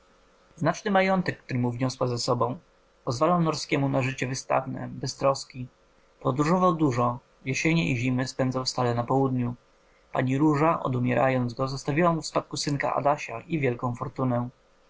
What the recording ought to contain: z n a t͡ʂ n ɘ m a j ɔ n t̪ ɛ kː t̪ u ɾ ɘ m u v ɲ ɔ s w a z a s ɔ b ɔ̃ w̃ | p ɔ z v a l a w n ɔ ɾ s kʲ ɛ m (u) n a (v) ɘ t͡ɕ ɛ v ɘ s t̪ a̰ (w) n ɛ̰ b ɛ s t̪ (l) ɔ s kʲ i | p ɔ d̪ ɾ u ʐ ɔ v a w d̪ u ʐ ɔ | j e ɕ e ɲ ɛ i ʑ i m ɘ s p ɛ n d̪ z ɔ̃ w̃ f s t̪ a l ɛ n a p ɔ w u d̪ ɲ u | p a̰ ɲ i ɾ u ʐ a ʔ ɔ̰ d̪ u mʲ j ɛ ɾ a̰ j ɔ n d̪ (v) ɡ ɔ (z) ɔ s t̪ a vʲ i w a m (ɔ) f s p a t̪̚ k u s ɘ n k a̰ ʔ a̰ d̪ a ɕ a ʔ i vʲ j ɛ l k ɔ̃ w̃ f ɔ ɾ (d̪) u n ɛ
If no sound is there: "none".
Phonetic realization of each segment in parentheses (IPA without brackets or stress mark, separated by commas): u, ʐ, v, ɾ, z, z, u, t̪